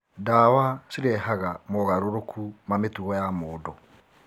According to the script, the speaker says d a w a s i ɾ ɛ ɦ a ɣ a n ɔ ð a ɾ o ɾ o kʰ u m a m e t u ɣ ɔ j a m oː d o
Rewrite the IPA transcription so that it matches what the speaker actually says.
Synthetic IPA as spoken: d a w a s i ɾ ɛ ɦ a ɣ a m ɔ ɣ a ɾ o ɾ o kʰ u m a m e t u ɣ ɔ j a m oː d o